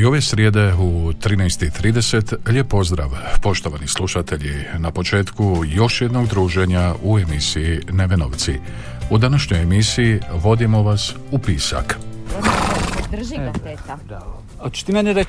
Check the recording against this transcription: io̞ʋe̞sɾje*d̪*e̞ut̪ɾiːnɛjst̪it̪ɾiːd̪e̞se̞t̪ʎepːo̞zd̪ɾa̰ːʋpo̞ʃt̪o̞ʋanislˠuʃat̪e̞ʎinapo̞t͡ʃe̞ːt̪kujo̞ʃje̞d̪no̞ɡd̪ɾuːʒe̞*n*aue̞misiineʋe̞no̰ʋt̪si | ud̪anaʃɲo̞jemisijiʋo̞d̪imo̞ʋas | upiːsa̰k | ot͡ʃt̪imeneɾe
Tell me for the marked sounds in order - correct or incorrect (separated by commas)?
correct, incorrect